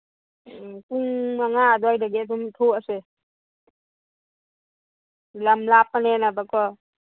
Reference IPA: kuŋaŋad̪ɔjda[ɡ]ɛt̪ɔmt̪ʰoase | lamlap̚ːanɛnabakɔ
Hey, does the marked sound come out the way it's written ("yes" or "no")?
yes